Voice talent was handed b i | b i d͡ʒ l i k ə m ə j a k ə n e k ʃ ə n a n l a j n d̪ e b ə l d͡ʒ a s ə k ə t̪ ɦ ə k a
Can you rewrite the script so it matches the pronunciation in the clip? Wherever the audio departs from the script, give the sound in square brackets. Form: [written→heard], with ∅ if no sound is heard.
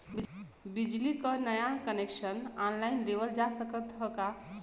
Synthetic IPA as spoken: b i | b i d͡ʒ l i k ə [m→n] ə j a k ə n e k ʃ ə n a n l a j n d̪ e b ə l d͡ʒ a s ə k ə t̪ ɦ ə k a